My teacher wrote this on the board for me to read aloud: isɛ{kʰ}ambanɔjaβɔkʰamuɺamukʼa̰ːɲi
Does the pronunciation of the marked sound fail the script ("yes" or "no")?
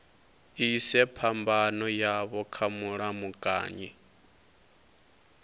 yes